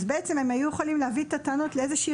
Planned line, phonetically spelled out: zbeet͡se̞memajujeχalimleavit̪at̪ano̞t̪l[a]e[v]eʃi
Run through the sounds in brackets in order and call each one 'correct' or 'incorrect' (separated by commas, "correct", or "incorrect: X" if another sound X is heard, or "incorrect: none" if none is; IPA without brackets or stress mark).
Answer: incorrect: e, incorrect: z